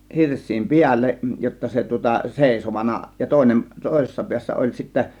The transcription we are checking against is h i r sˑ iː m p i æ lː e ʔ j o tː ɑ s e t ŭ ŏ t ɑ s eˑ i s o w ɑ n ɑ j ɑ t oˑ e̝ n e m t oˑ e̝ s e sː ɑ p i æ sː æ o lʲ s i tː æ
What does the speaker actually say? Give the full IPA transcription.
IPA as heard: h i r sˑ iː m p i æ lː e ʔ j o tː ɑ s e t ŭ ŏ t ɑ s eˑ i s o ʋ ɑ n ɑ j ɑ t oˑ e̝ n e m t oˑ e̝ s e sː ɑ p i æ sː æ o lʲ s i tː æ